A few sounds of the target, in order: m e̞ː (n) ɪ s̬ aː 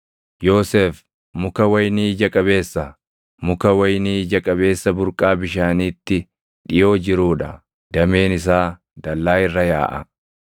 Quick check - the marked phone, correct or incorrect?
correct